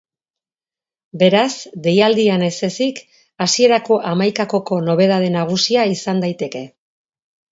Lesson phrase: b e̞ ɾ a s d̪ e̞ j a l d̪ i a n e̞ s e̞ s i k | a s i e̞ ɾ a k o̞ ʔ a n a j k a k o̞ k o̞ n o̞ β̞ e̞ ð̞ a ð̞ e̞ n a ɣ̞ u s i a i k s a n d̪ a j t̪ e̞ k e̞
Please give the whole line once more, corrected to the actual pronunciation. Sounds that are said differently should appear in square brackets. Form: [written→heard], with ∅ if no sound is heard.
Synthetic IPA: b e̞ ɾ a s d̪ e̞ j a l d̪ i a n e̞ s e̞ s i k | a s i e̞ ɾ a k o̞ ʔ a [n→m] a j k a k o̞ k o̞ n o̞ β̞ e̞ ð̞ a ð̞ e̞ n a ɣ̞ u s i a i [k→∅] s a n d̪ a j t̪ e̞ k e̞